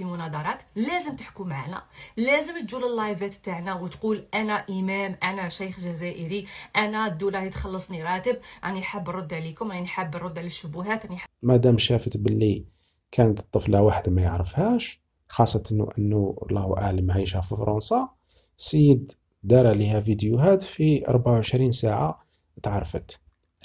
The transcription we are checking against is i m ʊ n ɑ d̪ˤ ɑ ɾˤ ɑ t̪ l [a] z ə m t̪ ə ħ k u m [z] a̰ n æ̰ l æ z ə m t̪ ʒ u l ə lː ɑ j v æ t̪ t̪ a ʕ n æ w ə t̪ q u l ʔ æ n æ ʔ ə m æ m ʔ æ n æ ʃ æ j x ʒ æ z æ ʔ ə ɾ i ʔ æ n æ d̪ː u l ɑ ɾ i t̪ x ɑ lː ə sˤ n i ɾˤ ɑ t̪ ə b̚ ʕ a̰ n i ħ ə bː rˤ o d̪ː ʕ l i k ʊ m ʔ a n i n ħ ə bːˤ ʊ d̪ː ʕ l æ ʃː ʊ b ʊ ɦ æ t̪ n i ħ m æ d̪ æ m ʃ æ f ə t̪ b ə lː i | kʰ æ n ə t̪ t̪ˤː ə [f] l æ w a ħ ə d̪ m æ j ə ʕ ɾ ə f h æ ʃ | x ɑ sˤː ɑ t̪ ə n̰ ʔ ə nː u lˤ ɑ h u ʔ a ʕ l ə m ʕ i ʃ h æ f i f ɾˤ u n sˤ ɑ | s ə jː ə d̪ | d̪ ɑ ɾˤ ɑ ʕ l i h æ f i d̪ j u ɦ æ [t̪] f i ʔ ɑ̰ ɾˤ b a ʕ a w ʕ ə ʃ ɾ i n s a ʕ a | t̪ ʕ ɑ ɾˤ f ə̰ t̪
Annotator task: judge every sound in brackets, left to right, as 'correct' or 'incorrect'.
incorrect: æ, incorrect: ʕ, correct, correct

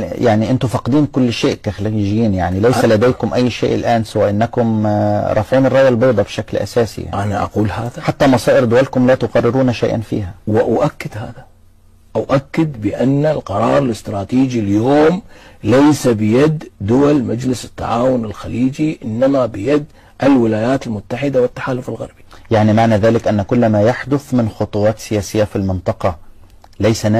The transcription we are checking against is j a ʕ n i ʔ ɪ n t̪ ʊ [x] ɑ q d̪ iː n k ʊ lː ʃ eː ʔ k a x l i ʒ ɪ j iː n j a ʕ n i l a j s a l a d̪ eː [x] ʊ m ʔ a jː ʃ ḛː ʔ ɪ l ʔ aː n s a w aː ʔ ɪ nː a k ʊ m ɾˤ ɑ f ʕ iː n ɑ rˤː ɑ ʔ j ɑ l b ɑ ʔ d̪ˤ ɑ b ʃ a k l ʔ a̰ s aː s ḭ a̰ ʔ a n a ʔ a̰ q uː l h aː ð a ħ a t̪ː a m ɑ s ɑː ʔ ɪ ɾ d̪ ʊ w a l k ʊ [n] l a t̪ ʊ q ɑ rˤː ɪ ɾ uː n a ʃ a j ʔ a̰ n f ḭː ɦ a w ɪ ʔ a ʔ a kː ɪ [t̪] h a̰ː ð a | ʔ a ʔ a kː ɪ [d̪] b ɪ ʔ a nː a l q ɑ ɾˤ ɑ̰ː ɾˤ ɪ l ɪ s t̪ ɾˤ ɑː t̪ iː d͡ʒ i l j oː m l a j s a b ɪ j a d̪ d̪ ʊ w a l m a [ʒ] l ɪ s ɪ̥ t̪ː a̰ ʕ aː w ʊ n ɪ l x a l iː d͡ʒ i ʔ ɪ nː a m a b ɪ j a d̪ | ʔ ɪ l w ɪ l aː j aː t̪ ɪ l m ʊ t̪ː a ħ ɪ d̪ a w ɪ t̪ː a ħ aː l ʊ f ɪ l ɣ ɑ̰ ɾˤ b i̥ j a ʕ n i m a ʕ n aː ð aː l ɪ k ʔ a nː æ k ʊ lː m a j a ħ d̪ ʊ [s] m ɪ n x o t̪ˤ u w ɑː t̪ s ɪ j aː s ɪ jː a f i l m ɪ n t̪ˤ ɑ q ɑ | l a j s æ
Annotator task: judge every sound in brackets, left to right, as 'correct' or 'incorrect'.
incorrect: f, incorrect: k, incorrect: m, incorrect: d̪, correct, incorrect: d͡ʒ, incorrect: θ

